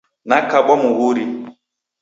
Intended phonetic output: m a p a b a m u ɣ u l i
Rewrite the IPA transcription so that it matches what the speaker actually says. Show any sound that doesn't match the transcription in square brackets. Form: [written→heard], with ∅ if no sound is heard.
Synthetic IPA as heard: [m→n] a [p→k] a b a m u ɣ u [l→ɾ] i